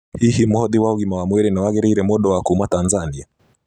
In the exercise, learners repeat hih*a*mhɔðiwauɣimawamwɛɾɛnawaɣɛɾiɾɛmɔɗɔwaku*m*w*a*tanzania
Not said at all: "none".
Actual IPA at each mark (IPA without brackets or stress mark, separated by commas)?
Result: i, m, a